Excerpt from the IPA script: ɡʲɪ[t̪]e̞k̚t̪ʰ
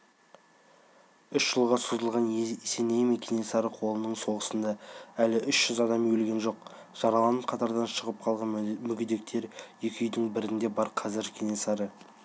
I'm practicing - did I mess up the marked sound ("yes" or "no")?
yes